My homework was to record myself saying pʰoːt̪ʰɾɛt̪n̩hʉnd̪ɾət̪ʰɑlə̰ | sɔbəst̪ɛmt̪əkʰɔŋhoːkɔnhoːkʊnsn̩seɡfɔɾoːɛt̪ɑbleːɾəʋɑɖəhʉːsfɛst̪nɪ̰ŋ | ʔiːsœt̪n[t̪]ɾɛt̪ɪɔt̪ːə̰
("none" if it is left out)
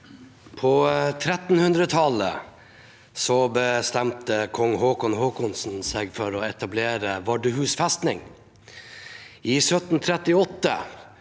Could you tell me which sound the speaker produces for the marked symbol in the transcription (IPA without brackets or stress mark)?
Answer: t̪ʰ